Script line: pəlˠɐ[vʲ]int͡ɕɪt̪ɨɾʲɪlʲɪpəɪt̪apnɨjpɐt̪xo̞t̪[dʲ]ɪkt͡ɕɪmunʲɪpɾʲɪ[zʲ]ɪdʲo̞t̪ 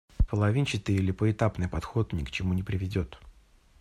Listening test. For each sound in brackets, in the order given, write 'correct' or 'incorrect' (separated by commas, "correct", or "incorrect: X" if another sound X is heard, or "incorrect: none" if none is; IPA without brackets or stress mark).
correct, incorrect: nʲ, incorrect: vʲ